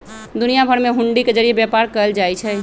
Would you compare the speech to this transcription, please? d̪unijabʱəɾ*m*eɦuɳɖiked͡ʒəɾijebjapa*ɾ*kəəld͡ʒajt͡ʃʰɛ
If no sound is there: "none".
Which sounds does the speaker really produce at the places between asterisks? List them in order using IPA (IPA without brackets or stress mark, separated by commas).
m, ɾ